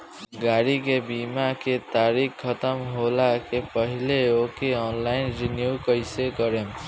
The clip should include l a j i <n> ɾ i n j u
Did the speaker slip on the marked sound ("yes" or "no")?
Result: no